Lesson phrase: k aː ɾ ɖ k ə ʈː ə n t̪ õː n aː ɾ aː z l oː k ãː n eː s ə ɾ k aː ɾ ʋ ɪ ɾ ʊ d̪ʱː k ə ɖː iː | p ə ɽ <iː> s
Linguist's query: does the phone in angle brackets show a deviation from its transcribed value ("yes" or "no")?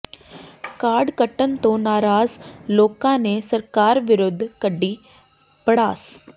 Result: yes